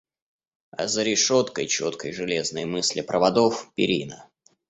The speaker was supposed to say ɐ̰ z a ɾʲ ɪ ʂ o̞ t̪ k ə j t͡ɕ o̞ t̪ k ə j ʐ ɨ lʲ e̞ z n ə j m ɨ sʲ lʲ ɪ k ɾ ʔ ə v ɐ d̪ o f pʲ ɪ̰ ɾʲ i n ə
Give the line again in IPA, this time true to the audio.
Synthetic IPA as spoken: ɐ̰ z ə ɾʲ ɪ ʂ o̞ t̪ k ə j t͡ɕ o̞ t̪ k ə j ʐ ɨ lʲ e̞ z n ə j m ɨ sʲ lʲ ɪ p ɾ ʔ ə v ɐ d̪ o f pʲ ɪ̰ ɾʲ i n ə